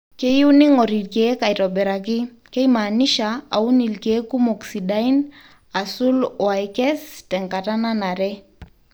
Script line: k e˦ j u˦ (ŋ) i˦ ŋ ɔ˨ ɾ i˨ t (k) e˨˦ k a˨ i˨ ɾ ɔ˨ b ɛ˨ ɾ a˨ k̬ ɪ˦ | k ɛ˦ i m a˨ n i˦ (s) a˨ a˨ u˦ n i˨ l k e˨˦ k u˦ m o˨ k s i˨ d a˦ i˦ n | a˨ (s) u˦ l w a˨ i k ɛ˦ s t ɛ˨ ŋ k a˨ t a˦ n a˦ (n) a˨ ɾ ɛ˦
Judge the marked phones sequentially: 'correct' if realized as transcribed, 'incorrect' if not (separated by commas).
incorrect, correct, incorrect, correct, correct